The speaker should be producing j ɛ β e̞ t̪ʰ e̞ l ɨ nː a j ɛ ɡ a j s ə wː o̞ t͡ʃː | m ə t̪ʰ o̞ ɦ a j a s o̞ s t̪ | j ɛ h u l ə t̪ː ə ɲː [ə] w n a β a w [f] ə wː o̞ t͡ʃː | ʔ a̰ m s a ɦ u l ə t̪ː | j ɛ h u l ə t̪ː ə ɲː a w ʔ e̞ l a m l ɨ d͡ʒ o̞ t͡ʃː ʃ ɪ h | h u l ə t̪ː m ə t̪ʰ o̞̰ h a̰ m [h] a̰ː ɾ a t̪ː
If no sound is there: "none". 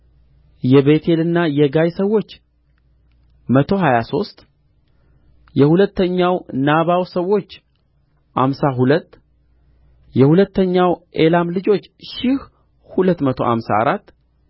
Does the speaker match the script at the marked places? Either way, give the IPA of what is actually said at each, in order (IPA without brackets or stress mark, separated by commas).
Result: a, s, s